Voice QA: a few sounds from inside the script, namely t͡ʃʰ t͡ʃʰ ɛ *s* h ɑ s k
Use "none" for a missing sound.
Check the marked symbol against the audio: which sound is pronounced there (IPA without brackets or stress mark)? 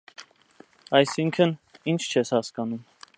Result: s